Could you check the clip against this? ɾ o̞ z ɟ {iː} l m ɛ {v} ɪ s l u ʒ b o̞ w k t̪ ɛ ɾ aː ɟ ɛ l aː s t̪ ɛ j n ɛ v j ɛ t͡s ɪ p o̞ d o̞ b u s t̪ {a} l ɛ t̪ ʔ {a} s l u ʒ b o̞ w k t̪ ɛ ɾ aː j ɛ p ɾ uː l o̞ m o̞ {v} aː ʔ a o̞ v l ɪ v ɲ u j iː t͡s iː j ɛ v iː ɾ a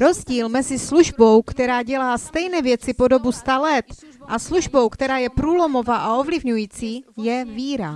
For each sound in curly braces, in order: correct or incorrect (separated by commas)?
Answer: correct, incorrect, correct, correct, correct